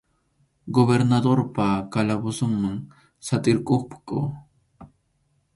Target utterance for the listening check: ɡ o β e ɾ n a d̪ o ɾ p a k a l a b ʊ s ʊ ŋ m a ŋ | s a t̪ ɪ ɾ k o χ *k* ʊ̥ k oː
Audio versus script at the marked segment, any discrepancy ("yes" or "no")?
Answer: yes